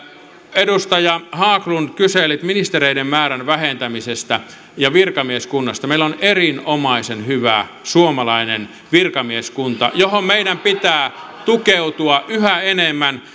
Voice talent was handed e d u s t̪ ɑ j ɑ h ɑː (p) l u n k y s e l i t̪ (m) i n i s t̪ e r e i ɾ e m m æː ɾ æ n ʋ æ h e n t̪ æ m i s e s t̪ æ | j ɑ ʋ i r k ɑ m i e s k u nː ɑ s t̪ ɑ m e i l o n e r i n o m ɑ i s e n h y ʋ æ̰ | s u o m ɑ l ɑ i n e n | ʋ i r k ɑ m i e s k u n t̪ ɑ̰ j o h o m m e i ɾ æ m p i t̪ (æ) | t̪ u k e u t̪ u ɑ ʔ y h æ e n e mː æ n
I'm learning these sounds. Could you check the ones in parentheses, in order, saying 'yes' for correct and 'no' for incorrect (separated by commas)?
no, yes, no